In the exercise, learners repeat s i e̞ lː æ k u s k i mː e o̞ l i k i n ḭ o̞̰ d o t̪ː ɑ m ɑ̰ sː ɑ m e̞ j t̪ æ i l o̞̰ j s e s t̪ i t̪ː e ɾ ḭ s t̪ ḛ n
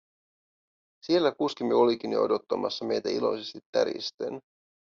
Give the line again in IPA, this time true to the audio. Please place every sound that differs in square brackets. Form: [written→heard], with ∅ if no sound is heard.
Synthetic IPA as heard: s i e̞ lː æ k u s k i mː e o̞ l i k i n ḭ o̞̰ d o t̪ː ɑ m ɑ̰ sː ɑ m e̞ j t̪ æ i l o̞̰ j s e s t̪ i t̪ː [e→æ] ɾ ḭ s t̪ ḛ n

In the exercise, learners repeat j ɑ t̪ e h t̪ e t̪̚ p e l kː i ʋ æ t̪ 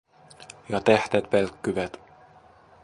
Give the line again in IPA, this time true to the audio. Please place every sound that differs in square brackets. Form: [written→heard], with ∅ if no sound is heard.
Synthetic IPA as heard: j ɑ t̪ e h t̪ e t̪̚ p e l kː [i→y] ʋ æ t̪

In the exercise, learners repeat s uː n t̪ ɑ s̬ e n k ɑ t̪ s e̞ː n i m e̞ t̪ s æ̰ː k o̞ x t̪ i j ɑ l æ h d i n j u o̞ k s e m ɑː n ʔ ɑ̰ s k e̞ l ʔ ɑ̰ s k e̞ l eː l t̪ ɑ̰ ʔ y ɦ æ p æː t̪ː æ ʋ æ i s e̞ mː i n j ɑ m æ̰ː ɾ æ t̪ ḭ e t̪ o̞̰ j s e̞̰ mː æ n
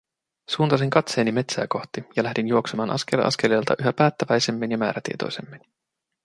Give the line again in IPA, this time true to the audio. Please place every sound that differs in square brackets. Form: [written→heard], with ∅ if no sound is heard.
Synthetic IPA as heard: s uː n t̪ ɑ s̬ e [n→ŋ] k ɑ t̪ s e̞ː n i m e̞ t̪ s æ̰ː k o̞ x t̪ i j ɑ l æ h d i n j u o̞ k s e m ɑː n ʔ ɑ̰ s k e̞ l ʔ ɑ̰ s k e̞ l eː l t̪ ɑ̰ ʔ y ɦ æ p æː t̪ː æ ʋ æ [i→j] s e̞ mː i n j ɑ m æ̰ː ɾ æ t̪ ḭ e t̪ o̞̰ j s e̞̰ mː [æ→i] n

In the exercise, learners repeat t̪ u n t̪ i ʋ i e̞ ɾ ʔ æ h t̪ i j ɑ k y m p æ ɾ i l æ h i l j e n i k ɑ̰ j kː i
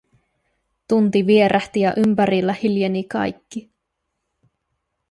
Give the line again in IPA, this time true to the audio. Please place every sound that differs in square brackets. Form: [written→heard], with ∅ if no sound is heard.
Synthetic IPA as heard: t̪ u n t̪ i ʋ i e̞ ɾ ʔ æ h t̪ i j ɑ [k→ʔ] y m p æ ɾ i [l→lː] æ h i l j e n i k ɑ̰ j kː i

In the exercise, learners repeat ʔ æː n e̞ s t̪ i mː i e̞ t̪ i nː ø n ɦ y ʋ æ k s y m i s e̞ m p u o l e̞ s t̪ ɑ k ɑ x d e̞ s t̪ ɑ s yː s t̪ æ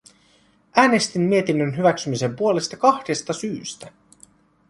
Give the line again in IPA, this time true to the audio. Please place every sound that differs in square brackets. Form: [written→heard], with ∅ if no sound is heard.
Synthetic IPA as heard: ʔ æː n e̞ s t̪ i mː i e̞ t̪ i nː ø n ɦ y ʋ æ k s y m i s e̞ m p u o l e̞ s t̪ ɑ k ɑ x d e̞ s t̪ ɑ s yː s t̪ æ

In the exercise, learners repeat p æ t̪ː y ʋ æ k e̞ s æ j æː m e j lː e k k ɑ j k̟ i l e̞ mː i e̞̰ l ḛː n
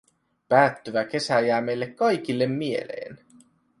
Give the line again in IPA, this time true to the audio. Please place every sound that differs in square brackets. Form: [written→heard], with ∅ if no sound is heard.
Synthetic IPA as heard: p [æ→æː] t̪ː y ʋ æ k e̞ s æ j æː m e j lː e k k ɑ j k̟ i [l→lː] e̞ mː i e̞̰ l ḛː n

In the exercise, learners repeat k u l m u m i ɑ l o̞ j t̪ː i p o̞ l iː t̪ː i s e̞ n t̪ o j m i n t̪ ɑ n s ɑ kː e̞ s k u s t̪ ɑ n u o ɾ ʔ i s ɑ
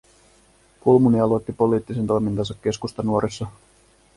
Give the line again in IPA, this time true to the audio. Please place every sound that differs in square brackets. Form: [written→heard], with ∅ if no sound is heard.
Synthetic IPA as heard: k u l m u [m→n] i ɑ l o̞ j t̪ː i p o̞ l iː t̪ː i s e̞ n t̪ o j m i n t̪ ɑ n s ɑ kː e̞ s k u s t̪ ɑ n u o ɾ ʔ i [s→sː] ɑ

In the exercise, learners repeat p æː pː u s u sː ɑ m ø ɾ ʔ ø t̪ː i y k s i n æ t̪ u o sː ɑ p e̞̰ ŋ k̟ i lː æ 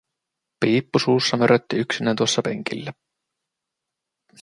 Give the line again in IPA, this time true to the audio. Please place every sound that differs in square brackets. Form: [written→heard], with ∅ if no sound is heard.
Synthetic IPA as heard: p [æː→iː] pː u s [u→uː] sː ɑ m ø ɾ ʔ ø t̪ː i y k s i n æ t̪ u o sː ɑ p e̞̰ ŋ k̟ i lː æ

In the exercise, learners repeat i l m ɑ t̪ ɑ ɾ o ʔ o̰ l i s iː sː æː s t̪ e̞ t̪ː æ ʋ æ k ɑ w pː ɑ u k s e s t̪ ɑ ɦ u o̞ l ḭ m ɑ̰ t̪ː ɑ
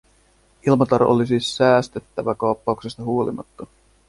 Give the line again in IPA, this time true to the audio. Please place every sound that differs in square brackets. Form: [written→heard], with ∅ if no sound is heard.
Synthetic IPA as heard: i l m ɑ t̪ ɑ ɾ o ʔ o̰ l i s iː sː æː s t̪ e̞ t̪ː æ ʋ æ k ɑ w pː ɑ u k s e s t̪ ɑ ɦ u o̞ l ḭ m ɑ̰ t̪ː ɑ

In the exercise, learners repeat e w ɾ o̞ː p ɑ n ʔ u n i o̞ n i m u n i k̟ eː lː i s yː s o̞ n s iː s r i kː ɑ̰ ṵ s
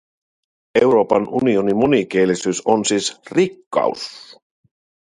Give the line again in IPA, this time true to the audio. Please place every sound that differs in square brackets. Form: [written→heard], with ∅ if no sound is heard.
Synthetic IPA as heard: e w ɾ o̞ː p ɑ n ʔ u n i o̞ n i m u n i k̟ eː [lː→l] i s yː s o̞ n s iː s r i kː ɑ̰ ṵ s

